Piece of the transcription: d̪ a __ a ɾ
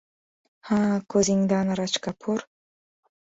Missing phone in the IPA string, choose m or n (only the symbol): n